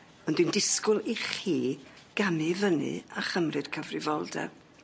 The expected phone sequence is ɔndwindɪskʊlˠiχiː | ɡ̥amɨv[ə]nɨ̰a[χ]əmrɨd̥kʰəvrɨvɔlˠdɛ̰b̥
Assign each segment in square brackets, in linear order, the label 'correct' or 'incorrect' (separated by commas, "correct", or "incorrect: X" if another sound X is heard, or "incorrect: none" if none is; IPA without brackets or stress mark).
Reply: correct, correct